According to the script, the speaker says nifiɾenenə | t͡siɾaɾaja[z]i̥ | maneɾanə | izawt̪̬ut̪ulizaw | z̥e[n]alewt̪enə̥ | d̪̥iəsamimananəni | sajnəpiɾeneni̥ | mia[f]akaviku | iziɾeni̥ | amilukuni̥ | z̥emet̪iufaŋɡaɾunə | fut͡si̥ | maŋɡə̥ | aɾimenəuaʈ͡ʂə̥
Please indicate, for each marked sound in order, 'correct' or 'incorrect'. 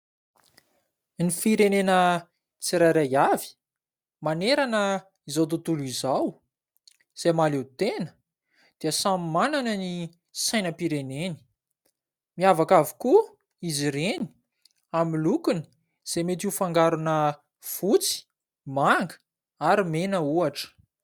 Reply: incorrect: v, incorrect: m, incorrect: v

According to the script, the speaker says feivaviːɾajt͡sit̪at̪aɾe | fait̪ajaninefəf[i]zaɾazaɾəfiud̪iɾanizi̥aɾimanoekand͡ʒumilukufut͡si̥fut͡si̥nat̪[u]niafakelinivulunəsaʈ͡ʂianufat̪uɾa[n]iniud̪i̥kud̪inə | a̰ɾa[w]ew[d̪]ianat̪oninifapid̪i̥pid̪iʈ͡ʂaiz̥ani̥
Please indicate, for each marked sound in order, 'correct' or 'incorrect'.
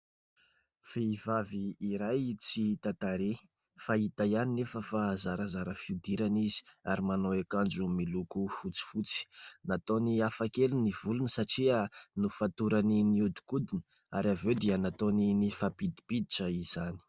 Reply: incorrect: a, incorrect: o, correct, incorrect: v, correct

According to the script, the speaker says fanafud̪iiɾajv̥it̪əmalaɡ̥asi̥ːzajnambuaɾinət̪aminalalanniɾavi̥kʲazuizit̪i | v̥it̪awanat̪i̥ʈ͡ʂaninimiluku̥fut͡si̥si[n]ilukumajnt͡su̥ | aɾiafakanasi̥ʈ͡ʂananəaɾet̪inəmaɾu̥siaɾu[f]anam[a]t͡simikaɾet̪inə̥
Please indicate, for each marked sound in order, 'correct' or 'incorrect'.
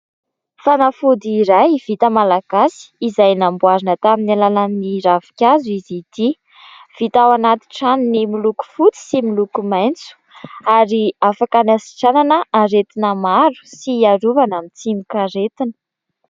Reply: incorrect: m, incorrect: v, incorrect: i

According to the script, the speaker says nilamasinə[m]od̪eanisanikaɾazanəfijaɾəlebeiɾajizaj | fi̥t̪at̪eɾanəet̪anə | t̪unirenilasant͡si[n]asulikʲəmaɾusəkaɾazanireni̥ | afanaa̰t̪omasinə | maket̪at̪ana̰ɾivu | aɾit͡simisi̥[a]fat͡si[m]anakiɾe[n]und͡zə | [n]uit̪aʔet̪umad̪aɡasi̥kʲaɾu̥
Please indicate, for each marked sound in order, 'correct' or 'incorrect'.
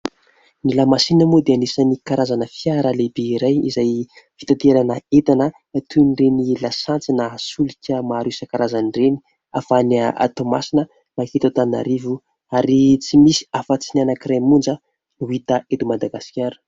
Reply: correct, correct, correct, incorrect: n, incorrect: m, correct

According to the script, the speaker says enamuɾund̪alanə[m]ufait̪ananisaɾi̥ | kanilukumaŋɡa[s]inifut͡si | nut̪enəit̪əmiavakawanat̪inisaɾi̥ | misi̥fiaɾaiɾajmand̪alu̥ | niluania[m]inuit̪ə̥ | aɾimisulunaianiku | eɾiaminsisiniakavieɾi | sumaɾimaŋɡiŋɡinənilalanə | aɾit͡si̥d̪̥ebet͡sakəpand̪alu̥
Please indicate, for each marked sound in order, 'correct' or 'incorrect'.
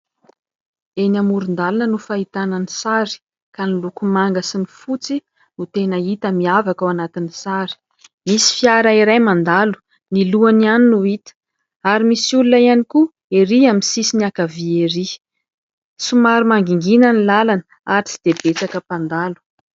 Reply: incorrect: n, correct, incorrect: n

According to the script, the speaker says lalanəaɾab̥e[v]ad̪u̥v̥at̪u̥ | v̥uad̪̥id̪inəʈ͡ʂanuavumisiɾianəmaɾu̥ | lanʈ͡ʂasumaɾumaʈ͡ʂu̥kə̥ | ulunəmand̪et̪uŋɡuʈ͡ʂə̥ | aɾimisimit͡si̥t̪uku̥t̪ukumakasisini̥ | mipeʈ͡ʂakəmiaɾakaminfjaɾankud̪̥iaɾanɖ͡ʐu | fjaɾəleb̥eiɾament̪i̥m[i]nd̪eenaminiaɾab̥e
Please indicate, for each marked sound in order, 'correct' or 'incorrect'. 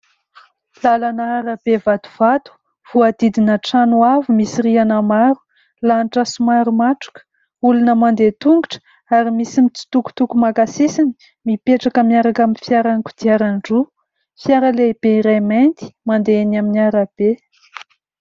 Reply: correct, incorrect: a

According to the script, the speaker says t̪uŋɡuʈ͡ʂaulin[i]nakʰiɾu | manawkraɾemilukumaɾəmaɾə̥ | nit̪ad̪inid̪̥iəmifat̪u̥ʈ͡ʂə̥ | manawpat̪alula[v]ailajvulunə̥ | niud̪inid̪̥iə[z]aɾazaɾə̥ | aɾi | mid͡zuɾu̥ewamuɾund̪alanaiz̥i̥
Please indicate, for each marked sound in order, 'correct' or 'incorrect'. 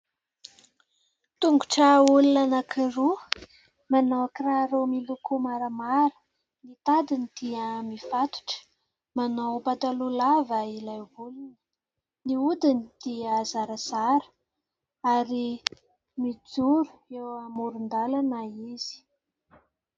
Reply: incorrect: a, correct, correct

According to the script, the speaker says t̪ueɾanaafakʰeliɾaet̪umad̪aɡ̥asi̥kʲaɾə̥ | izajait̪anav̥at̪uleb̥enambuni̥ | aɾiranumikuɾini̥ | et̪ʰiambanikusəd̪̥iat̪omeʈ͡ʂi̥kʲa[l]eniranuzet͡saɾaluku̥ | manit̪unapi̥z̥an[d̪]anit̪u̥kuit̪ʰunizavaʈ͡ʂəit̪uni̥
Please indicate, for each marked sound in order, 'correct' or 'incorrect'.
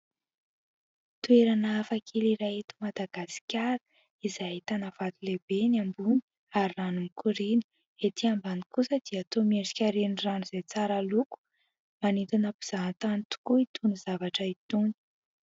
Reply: incorrect: ɾ, incorrect: t̪

